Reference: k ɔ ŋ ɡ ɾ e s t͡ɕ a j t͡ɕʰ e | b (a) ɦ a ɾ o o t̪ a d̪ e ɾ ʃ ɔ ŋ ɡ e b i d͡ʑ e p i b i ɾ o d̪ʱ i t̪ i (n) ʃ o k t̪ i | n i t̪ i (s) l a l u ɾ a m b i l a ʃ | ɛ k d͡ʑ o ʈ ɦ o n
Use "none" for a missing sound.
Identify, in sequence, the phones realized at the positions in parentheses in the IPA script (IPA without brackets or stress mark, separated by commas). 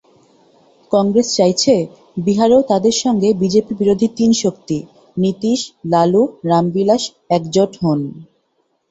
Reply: i, n, ʃ